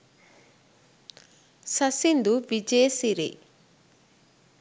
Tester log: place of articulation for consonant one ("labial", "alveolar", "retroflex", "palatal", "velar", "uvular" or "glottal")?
alveolar